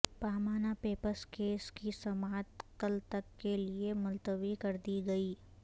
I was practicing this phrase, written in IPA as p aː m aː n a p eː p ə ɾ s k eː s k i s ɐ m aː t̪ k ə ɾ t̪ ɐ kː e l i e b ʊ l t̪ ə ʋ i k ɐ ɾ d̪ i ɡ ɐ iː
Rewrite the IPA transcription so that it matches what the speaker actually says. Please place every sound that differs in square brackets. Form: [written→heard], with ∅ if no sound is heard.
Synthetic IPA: p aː m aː n a p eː p ə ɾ s k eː s k i s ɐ m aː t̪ k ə [ɾ→l] t̪ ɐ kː e l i e [b→m] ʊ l t̪ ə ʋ i k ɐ ɾ d̪ i ɡ ɐ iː